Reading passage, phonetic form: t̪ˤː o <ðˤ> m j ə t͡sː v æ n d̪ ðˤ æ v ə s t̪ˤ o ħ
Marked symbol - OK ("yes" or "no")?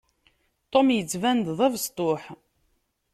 no